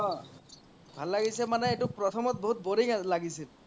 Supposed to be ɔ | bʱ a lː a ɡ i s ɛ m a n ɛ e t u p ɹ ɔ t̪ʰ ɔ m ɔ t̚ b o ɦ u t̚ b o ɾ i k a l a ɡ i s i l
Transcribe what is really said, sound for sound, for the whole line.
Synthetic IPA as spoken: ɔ | bʱ a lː a ɡ i s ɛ m a n ɛ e t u p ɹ ɔ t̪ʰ ɔ m ɔ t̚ b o ɦ u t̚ b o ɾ i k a l a ɡ i s i l

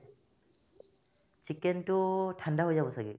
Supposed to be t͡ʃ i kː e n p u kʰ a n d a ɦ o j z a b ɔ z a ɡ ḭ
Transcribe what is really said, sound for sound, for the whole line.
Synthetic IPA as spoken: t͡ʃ i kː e n t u tʰ a n d a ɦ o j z a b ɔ s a ɡ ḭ

